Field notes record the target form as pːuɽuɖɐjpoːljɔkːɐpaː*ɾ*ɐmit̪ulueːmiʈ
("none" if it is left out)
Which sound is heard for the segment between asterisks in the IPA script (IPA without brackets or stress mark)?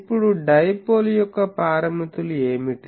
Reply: ɾ